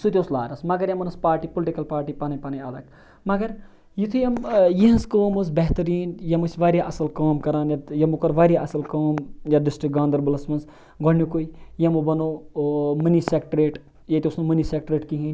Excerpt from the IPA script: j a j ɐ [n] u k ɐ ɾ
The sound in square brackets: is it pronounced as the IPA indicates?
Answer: no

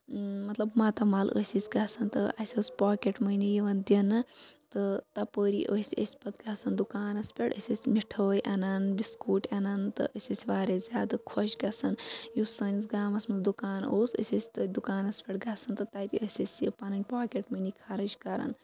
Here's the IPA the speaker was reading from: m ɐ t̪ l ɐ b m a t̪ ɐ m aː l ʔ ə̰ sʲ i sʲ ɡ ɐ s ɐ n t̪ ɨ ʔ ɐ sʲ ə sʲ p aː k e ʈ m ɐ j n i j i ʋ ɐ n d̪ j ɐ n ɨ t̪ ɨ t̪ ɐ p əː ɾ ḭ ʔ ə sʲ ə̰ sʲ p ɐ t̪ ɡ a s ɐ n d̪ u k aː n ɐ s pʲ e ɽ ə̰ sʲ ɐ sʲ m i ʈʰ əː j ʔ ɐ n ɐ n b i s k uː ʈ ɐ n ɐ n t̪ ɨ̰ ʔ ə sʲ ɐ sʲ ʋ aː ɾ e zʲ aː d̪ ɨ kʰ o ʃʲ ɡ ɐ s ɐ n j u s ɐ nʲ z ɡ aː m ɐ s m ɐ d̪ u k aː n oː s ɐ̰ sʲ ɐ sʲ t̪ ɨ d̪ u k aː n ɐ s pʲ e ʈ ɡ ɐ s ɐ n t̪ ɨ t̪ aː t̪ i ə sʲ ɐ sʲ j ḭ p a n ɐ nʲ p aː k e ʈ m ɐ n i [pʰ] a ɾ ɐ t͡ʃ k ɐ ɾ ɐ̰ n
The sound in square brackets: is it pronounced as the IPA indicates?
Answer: no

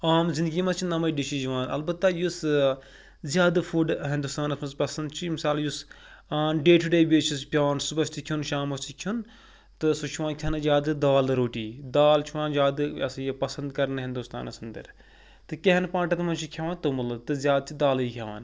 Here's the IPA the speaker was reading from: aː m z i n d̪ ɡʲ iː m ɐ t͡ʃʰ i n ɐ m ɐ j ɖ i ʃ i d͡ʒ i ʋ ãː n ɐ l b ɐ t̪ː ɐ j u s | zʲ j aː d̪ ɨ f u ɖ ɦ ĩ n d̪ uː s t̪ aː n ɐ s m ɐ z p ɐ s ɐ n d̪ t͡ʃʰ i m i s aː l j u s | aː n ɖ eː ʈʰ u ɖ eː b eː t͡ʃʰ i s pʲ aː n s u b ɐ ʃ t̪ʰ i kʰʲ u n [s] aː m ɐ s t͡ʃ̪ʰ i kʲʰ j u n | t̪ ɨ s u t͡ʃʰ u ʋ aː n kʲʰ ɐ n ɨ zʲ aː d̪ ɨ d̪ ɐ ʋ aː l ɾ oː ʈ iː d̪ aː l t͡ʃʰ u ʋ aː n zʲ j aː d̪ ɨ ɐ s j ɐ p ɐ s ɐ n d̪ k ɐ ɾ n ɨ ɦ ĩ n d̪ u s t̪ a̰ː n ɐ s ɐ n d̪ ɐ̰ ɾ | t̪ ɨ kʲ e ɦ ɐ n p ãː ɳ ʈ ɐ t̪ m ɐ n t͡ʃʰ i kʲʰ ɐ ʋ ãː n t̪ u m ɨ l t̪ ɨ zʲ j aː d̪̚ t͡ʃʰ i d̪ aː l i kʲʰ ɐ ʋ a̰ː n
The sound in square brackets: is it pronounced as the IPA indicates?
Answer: no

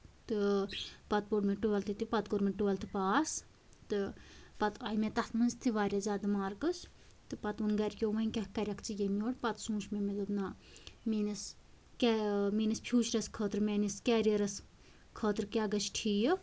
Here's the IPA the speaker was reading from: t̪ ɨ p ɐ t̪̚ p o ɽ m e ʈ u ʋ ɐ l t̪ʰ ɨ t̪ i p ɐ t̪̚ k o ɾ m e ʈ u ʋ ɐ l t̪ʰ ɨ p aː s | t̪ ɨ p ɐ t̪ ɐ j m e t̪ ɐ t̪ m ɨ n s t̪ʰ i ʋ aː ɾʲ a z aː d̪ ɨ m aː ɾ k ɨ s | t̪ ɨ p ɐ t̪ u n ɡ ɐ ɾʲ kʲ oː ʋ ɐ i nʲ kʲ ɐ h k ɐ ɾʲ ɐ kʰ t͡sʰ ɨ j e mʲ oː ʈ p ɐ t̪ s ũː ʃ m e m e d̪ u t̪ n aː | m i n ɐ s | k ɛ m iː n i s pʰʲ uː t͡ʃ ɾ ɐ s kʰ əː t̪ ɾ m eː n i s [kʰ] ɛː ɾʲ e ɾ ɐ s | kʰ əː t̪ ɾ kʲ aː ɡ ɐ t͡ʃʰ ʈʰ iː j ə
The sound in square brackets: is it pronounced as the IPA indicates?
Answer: no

